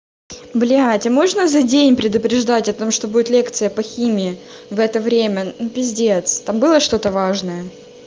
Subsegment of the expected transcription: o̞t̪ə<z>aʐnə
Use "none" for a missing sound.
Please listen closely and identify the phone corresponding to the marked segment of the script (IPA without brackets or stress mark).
v